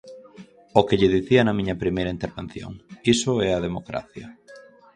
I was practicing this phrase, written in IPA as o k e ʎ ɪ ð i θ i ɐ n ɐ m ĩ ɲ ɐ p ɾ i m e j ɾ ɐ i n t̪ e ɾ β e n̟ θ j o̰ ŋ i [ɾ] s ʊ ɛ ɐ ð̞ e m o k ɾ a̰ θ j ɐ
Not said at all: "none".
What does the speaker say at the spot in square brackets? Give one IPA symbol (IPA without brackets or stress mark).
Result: none